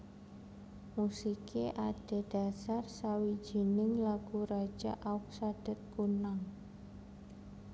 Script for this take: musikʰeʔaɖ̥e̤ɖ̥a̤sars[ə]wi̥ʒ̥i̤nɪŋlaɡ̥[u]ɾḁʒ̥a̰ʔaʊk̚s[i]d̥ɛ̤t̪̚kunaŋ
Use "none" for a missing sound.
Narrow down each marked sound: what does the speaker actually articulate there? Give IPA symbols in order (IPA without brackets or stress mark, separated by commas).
a, u, a